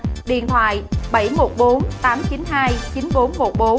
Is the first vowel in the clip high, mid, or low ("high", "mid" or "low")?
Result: high